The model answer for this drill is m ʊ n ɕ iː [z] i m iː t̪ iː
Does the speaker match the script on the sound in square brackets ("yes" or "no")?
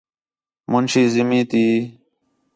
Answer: yes